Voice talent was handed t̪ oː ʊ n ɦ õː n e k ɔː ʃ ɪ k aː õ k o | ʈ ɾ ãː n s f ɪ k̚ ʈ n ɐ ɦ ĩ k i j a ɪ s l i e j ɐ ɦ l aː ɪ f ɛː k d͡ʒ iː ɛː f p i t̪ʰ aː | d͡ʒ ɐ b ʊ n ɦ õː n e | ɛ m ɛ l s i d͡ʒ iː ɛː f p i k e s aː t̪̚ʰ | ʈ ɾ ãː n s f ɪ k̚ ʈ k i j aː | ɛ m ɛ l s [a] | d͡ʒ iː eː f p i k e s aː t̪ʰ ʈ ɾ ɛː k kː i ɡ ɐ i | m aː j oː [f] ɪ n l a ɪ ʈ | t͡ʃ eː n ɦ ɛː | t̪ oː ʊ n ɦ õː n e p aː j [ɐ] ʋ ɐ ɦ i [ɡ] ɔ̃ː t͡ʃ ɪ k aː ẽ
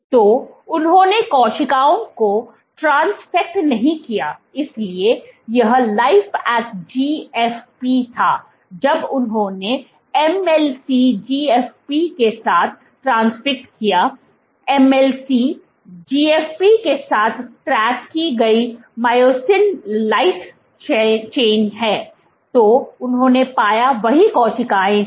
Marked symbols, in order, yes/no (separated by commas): no, no, no, no